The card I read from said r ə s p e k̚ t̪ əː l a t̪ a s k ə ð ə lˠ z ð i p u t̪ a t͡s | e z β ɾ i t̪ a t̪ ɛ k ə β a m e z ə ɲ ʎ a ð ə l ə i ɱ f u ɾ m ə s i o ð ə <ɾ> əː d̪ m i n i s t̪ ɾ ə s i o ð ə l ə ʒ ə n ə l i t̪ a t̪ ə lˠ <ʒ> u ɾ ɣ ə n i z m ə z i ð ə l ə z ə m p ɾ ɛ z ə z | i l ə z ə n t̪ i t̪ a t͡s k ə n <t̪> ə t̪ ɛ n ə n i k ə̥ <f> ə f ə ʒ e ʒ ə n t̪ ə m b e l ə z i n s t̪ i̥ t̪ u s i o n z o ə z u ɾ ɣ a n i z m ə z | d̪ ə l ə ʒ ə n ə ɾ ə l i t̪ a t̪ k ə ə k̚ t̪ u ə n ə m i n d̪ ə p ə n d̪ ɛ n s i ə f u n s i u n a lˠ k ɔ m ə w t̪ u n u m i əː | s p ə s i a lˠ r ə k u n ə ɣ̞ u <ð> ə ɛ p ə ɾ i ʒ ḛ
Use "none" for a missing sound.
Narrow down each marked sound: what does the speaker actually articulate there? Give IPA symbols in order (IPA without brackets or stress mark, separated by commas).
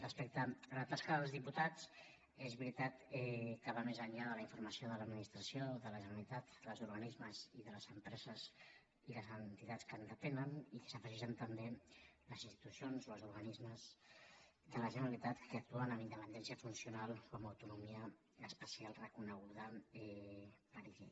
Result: l, z, d̪, s, ð